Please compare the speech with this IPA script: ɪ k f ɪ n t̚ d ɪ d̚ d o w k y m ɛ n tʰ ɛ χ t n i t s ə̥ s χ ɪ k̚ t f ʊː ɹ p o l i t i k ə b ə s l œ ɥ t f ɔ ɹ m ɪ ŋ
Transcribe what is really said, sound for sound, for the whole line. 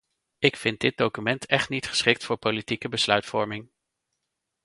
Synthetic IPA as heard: ɪ k f ɪ n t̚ d ɪ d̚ d o w k y m ɛ n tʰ ɛ χ t n i t χ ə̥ s χ ɪ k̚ t f ʊː ɹ p o l i t i k ə b ə s l œ ɥ t f ɔ ɹ m ɪ ŋ